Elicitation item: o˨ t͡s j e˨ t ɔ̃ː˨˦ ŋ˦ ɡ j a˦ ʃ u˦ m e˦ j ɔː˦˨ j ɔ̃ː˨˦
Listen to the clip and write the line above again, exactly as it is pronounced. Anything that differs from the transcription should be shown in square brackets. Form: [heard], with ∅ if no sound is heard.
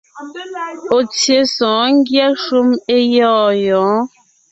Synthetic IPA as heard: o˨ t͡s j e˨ [s] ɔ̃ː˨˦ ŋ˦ ɡ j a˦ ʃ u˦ m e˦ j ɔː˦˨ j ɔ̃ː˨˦